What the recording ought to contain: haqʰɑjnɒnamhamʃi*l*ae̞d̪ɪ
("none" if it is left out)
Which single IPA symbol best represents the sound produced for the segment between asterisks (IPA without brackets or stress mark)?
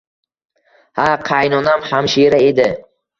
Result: ɾ